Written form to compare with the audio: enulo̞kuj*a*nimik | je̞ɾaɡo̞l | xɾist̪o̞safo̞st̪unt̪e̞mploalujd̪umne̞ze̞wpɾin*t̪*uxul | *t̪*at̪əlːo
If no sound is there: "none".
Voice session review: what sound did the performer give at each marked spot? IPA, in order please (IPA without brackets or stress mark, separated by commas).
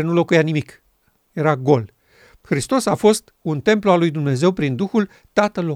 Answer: a, d̪, t̪